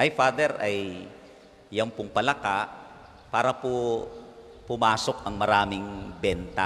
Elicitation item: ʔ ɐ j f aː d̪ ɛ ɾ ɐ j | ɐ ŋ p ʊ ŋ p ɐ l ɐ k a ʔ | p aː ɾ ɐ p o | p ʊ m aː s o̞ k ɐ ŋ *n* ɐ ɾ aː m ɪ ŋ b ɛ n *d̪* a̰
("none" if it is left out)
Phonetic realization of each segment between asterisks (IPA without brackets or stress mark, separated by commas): m, t̪